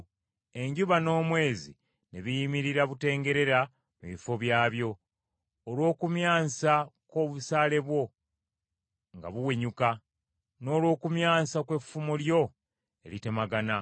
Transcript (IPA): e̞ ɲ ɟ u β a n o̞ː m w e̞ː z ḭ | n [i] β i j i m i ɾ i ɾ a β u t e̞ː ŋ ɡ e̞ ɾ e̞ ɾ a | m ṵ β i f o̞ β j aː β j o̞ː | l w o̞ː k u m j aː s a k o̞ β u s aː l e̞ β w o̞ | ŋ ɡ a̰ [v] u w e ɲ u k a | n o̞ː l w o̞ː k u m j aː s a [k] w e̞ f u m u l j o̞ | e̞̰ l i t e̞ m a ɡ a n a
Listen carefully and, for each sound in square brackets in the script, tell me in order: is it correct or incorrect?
incorrect, incorrect, correct

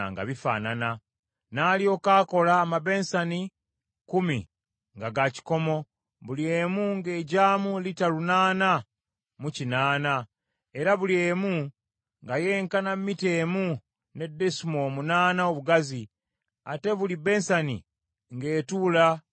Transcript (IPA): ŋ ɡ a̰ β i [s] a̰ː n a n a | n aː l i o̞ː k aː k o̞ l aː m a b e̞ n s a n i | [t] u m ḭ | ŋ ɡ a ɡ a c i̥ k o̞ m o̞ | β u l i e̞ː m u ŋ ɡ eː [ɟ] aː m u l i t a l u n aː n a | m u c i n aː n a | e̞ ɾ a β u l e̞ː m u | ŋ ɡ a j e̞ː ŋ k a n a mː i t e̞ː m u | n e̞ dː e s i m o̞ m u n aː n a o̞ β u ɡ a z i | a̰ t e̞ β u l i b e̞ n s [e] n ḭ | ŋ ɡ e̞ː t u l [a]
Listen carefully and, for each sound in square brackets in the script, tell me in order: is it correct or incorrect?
incorrect, incorrect, correct, incorrect, correct

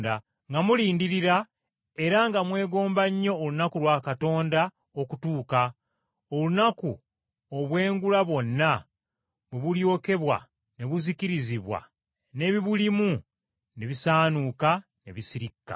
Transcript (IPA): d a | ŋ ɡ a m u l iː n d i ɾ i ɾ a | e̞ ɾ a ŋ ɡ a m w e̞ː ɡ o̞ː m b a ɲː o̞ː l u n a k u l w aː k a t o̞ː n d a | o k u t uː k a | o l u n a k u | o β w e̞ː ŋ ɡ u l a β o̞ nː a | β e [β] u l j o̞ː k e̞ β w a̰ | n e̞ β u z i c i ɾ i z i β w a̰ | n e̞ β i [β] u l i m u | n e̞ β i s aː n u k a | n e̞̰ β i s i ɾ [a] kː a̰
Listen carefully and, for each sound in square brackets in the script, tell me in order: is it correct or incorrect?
correct, correct, incorrect

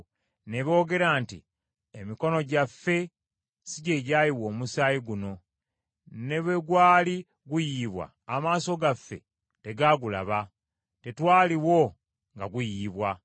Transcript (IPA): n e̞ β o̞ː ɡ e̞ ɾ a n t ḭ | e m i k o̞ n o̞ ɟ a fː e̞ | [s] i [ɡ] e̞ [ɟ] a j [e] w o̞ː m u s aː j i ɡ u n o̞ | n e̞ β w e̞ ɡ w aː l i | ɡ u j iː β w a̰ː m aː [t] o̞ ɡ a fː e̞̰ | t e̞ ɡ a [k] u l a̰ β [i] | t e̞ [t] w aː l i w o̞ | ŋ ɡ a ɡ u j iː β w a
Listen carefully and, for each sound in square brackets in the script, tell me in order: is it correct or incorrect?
correct, incorrect, correct, incorrect, incorrect, incorrect, incorrect, correct

